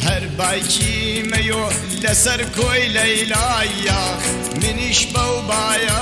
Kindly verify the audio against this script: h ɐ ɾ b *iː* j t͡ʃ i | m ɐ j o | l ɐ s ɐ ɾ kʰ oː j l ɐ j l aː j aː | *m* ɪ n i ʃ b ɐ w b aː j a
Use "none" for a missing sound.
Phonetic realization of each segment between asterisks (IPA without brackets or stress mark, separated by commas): aː, m